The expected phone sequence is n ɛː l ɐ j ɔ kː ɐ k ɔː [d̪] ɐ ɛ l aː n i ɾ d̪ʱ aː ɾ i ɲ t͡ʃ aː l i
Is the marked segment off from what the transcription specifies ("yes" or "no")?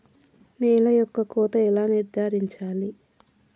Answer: yes